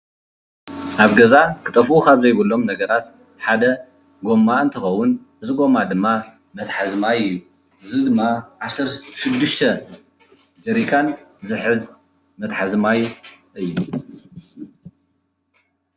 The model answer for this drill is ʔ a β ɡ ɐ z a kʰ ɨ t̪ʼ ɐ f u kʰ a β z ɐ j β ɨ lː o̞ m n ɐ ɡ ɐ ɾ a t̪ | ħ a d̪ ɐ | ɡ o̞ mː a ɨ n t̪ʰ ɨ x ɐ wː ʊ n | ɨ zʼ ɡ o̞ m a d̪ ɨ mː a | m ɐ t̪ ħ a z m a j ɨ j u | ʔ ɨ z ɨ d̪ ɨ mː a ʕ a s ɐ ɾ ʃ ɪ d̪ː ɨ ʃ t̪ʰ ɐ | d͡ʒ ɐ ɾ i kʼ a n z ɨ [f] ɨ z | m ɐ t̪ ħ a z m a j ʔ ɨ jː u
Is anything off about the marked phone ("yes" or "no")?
yes